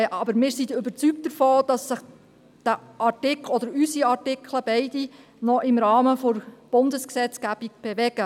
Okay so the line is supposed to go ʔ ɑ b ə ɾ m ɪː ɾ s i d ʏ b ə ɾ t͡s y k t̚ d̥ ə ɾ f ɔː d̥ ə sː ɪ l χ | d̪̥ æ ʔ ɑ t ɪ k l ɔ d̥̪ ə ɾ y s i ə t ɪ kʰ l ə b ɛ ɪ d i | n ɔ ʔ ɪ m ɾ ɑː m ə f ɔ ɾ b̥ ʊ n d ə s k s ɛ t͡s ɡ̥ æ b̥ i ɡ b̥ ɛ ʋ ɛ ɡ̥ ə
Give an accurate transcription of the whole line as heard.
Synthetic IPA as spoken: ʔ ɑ b ə ɾ m ɪː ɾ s i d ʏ b ə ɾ t͡s y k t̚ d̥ ə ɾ f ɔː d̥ ɑ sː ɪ χ | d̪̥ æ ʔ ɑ t ɪ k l ɔ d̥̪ ə ɾ y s i ɑ t ɪ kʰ l ə b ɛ ɪ d i | n ɔ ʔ ɪ m ɾ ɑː m ə f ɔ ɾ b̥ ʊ n d ə s k s ɛ t͡s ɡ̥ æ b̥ i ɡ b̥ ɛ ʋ ɛ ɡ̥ ə